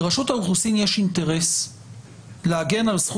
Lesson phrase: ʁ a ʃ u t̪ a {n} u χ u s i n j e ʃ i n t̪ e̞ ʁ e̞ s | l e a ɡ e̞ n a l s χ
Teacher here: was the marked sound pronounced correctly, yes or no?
no